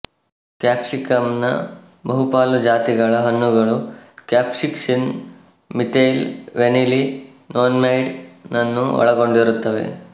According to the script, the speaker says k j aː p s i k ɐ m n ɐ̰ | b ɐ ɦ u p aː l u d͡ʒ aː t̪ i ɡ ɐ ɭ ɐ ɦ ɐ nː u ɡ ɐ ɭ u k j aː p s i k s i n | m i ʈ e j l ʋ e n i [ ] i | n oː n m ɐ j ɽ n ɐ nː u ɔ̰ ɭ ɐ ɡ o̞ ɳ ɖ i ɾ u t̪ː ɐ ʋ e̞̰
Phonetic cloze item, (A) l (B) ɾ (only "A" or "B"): A